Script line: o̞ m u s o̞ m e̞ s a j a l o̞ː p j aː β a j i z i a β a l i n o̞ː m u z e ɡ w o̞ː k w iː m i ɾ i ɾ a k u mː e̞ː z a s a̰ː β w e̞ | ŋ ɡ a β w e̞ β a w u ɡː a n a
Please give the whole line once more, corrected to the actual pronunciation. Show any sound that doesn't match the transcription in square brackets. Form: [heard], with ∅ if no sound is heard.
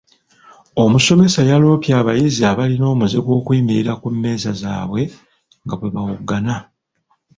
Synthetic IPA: o̞ m u s o̞ m e̞ s a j a l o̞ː p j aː β a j i z i a β a l i n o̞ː m u z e ɡ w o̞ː k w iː m i ɾ i ɾ a k u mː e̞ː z a [z] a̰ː β w e̞ | ŋ ɡ a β w e̞ β a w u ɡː a n a